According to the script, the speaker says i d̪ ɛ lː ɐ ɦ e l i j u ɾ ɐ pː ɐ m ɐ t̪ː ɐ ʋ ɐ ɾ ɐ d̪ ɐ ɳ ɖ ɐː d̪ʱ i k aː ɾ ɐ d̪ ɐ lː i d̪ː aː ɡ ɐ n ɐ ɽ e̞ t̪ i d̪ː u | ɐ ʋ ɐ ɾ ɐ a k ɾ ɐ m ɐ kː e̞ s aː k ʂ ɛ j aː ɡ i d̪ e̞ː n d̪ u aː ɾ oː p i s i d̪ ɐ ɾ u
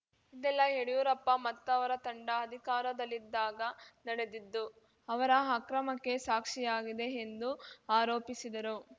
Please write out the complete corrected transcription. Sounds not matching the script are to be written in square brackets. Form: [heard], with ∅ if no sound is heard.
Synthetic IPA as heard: i d̪ ɛ lː ɐ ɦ e [ɽ] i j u ɾ ɐ pː ɐ m ɐ t̪ː ɐ ʋ ɐ ɾ ɐ [t̪] ɐ ɳ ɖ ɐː d̪ʱ i k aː ɾ ɐ d̪ ɐ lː i d̪ː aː ɡ ɐ n ɐ ɽ e̞ [d̪] i d̪ː u | ɐ ʋ ɐ ɾ ɐ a k ɾ ɐ m ɐ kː e̞ s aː k ʂ [i] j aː ɡ i d̪ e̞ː n d̪ u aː ɾ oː p i s i d̪ ɐ ɾ u